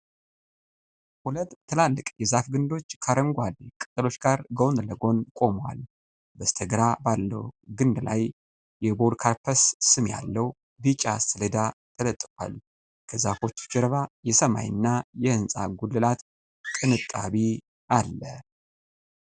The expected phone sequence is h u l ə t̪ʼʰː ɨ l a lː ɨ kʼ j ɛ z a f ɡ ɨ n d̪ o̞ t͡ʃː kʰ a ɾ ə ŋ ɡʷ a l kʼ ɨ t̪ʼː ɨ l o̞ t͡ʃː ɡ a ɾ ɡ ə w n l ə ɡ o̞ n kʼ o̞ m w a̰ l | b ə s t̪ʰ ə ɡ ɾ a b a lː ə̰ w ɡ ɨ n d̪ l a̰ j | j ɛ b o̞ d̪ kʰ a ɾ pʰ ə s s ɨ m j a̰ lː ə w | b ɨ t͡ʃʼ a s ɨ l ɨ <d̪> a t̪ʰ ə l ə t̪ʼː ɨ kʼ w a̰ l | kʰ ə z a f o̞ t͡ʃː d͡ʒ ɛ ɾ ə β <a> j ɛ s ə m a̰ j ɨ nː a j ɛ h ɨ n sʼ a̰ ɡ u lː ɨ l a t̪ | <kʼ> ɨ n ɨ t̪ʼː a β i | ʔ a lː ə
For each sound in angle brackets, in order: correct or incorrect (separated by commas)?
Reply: correct, correct, correct